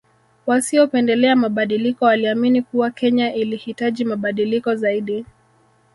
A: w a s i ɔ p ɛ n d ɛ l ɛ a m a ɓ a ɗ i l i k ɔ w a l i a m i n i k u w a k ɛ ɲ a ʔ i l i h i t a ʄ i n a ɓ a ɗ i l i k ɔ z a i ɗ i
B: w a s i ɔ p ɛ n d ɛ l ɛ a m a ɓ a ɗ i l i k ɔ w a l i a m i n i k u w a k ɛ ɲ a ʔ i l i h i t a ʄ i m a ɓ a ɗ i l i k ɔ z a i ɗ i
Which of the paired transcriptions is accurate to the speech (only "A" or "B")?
B